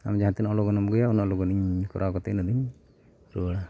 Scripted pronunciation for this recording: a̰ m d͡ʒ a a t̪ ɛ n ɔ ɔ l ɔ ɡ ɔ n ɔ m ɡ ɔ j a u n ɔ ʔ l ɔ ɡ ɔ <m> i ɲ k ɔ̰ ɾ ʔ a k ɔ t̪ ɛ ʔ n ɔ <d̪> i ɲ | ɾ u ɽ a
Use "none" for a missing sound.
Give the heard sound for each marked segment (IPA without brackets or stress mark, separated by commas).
n, d̪